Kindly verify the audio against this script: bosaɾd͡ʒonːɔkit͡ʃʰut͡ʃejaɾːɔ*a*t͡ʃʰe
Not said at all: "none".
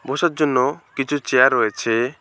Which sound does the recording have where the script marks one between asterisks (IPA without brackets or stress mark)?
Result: e